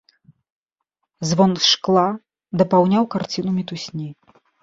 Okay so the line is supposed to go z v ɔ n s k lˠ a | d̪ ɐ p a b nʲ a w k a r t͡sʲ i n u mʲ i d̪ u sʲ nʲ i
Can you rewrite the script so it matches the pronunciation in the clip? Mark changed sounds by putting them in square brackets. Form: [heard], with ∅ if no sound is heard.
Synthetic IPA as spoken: z v ɔ n [ʂ] k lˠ a | d̪ ɐ p a [w] nʲ a w k a r t͡sʲ i n u mʲ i [t̪] u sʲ nʲ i